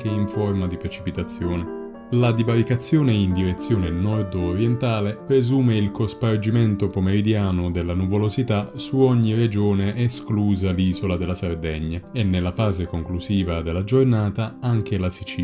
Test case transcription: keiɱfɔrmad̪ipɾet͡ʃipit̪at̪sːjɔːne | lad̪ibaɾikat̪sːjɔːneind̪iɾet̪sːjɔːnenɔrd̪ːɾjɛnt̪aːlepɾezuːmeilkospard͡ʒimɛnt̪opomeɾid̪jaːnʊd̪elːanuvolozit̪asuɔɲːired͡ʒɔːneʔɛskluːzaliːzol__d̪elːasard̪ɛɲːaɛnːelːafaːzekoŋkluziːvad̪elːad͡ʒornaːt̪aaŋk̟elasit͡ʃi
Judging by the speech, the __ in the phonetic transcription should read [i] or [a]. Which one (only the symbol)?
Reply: a